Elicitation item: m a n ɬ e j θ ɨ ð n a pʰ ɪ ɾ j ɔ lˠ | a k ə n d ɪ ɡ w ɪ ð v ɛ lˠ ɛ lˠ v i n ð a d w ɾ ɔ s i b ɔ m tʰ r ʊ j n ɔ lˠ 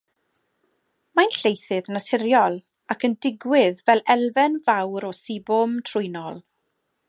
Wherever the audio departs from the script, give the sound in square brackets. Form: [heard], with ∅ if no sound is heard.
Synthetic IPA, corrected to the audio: m a n ɬ e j θ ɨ ð n a [tʰ] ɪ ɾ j ɔ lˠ | a k ə n d ɪ ɡ w ɪ ð v ɛ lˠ ɛ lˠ v [ɛ] n [v] a [∅] w ɾ ɔ s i b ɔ m tʰ r ʊ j n ɔ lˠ

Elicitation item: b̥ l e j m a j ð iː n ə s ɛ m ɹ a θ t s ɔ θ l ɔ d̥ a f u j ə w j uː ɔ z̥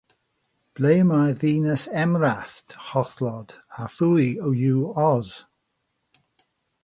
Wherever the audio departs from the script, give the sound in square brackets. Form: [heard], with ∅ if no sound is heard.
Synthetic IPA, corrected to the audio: b̥ l e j m a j ð iː n ə s ɛ m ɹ a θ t [h] ɔ θ l ɔ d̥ a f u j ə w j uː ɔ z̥

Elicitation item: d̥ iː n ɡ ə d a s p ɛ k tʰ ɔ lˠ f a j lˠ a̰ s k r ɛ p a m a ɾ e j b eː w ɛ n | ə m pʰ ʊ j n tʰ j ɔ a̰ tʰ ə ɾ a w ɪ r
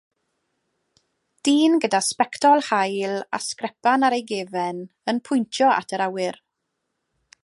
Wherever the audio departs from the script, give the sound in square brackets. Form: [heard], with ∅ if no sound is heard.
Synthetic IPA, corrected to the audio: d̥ iː n ɡ ə d a s p ɛ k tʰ ɔ lˠ [h] a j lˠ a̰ s k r ɛ p a [n] a ɾ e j [ɡ] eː [v] ɛ n | ə [n] pʰ ʊ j n tʰ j ɔ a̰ tʰ ə ɾ a w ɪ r

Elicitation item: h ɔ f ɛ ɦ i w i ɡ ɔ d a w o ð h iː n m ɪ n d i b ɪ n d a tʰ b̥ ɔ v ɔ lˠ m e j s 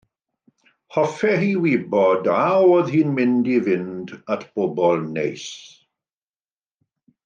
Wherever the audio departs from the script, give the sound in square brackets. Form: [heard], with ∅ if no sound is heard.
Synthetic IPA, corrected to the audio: h ɔ f ɛ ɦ i w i [b] ɔ d a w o ð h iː n m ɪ n d i [v] ɪ n d a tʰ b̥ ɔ [b] ɔ lˠ [n] e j s

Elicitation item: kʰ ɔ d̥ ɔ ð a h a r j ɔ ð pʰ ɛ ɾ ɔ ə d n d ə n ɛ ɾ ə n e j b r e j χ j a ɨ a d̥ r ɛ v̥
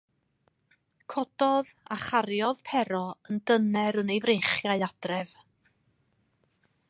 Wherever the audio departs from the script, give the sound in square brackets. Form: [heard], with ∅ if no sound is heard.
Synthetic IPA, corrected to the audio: kʰ ɔ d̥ ɔ ð a [χ] a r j ɔ ð pʰ ɛ ɾ ɔ ə [∅] n d ə n ɛ ɾ ə n e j [v] r e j χ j a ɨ a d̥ r ɛ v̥

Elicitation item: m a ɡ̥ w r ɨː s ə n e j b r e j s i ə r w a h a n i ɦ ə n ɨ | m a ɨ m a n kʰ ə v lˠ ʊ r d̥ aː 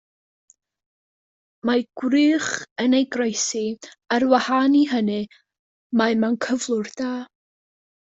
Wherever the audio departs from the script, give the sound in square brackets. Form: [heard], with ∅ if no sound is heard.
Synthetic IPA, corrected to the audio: m a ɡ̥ w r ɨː [χ] ə n e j [ɡ] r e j s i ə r w a h a n i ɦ ə n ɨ | m a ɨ m a n kʰ ə v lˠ ʊ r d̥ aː

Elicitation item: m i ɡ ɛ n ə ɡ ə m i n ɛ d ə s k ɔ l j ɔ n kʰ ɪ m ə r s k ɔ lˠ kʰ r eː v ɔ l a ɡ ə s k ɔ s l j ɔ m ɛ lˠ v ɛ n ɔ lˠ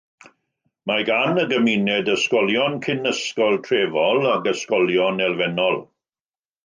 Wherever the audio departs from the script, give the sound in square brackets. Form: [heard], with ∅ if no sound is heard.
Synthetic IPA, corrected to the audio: m [a] ɡ [a] n ə ɡ ə m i n ɛ d ə s k ɔ l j ɔ n kʰ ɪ [n] ə [∅] s k ɔ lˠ [tʰ] r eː v ɔ l a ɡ ə s k ɔ [∅] l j ɔ [n] ɛ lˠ v ɛ n ɔ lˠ

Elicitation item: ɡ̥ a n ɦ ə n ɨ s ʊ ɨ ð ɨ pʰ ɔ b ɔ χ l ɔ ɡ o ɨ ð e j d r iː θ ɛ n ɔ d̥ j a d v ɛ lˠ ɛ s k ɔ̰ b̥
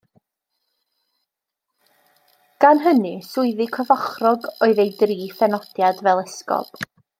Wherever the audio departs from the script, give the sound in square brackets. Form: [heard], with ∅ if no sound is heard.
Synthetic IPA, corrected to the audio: ɡ̥ a n ɦ ə n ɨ s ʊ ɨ ð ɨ [kʰ] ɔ [v] ɔ χ [r] ɔ ɡ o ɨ ð e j d r iː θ ɛ n ɔ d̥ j a d v ɛ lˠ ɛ s k ɔ̰ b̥

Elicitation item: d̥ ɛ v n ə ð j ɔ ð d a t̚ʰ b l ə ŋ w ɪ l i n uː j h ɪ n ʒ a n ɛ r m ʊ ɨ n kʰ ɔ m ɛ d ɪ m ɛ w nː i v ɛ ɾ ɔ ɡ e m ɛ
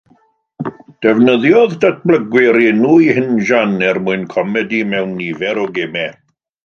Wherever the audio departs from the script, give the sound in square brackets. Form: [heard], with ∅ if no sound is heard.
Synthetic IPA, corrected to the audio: d̥ ɛ v n ə ð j ɔ ð d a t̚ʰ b l ə [ɡ] w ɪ [ɾ] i n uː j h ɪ n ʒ a n ɛ r m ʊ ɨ n kʰ ɔ m ɛ d [i] m ɛ w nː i v ɛ ɾ ɔ ɡ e m ɛ

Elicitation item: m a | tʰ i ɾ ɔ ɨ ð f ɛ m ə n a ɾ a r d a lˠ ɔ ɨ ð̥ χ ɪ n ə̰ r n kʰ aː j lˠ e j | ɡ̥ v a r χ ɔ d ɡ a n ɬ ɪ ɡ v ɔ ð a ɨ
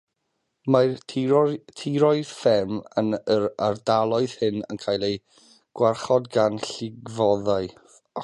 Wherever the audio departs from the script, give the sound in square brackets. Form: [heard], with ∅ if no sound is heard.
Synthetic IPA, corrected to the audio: m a | tʰ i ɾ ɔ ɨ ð f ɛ m ə n [ə] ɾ a r d a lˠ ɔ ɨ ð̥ [h] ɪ n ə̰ [∅] n kʰ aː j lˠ e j | ɡ̥ [w] a r χ ɔ d ɡ a n ɬ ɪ ɡ v ɔ ð a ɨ

